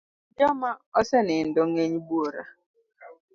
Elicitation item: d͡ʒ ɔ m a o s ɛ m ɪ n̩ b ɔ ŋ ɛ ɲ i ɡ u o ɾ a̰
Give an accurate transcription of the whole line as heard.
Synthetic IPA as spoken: d͡ʒ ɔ m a ɔ s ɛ n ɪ n̩ d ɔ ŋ e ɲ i b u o ɾ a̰